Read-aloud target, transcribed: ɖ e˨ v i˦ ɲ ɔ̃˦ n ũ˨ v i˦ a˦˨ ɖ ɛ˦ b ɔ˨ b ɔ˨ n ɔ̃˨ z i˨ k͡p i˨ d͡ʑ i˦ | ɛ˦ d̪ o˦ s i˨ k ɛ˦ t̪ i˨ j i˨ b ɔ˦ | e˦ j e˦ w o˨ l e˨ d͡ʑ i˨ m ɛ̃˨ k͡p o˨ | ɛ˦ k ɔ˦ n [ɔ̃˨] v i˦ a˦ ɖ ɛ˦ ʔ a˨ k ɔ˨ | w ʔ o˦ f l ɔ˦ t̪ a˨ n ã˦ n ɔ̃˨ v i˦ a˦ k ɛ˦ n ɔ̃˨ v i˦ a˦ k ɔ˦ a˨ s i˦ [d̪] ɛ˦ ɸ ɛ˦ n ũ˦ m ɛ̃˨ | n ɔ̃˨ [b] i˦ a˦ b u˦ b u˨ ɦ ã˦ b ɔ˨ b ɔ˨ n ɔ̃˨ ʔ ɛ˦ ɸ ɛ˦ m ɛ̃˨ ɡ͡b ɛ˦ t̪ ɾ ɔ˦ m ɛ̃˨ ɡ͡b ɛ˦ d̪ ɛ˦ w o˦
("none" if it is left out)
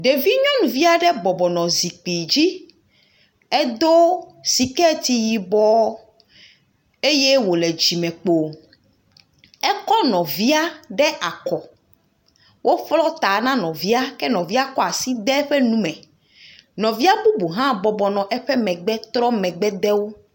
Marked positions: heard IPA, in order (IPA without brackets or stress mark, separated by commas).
ɔ̃˨, d̪, v